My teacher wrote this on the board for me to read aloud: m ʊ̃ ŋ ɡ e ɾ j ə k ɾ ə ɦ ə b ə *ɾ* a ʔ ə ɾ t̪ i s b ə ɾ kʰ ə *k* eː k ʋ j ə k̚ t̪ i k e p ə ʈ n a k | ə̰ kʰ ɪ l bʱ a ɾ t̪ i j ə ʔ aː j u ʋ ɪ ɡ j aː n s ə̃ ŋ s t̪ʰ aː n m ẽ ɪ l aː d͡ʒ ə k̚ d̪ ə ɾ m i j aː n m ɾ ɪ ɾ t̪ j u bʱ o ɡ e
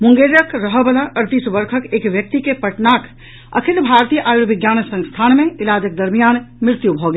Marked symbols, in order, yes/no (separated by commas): no, yes